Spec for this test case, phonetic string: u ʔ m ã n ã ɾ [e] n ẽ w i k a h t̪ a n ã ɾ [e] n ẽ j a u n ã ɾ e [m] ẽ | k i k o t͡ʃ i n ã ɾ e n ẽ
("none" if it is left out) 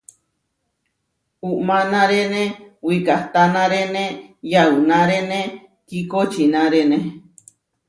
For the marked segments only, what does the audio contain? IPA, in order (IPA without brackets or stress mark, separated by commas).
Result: e, e, n